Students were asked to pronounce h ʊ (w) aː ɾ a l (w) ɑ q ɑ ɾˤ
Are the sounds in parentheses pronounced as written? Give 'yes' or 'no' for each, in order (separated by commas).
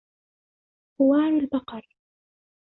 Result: yes, no